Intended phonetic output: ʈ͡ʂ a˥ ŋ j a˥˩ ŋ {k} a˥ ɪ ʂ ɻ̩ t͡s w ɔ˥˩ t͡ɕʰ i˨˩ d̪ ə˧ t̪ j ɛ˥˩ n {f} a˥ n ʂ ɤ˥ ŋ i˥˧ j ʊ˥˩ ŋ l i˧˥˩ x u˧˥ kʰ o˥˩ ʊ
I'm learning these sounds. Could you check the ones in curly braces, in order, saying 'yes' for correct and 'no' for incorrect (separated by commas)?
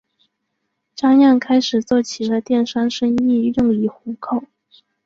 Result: no, no